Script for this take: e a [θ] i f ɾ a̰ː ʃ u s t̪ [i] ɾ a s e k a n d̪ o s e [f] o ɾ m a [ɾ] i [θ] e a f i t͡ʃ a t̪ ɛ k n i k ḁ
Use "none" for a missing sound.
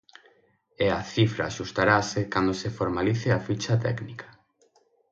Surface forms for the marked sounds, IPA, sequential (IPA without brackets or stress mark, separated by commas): θ, a, f, l, θ